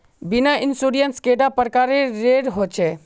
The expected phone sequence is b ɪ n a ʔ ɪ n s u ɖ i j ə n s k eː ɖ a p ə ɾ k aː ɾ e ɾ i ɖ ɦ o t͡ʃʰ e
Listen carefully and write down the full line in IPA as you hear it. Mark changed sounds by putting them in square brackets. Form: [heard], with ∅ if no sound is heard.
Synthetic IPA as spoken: b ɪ n a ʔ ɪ n s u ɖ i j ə n s k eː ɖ a p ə ɾ k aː ɾ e ɾ [e] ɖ ɦ o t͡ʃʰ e